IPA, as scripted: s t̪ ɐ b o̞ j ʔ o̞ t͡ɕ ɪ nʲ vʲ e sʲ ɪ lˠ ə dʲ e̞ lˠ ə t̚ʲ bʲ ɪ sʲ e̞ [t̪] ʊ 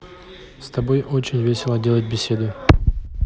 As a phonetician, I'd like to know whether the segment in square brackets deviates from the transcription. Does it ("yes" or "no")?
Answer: yes